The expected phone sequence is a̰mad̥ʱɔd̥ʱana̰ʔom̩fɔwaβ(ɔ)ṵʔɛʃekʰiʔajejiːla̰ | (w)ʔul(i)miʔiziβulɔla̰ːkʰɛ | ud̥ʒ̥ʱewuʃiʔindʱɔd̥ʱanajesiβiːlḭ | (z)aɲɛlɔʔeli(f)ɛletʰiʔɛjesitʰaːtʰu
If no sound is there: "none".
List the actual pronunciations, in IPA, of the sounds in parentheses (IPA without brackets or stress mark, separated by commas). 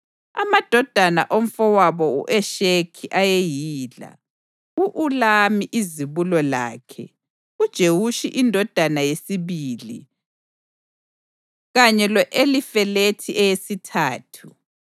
ɔ, u, a, ɣ, f